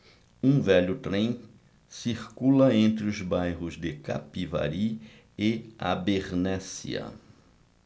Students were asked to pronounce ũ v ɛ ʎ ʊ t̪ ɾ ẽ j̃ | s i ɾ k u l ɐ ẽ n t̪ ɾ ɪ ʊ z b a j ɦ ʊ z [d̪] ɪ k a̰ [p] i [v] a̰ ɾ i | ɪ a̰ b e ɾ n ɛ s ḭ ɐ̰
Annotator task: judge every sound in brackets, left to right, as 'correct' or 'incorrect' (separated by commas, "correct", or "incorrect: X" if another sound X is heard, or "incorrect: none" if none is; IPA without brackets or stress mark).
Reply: correct, correct, correct